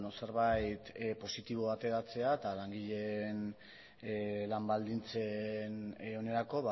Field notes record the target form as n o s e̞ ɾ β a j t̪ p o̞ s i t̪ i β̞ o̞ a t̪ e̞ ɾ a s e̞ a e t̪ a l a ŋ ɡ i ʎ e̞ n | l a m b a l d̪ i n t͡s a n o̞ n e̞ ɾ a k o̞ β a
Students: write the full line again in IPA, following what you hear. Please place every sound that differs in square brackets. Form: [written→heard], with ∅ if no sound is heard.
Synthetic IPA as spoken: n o s e̞ ɾ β a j t̪ p o̞ s i t̪ i β̞ o̞ a t̪ e̞ ɾ a [s→t͡s] e̞ a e t̪ a l a ŋ ɡ i ʎ e̞ n | l a m b a l d̪ i n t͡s [a→e] n o̞ n e̞ ɾ a k o̞ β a